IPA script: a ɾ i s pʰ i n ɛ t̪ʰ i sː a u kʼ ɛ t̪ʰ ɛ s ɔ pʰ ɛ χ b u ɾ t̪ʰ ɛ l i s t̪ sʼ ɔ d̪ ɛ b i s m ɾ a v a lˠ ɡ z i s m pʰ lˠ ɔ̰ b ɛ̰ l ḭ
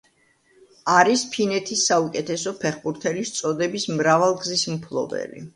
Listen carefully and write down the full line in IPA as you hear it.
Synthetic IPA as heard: a ɾ i s pʰ i n ɛ t̪ʰ i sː a u kʼ ɛ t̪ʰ ɛ s ɔ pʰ ɛ χ b u ɾ t̪ʰ ɛ l i s t̪ sʼ ɔ d̪ ɛ b i s m ɾ a v a lˠ ɡ z i s m pʰ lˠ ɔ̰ b ɛ̰ l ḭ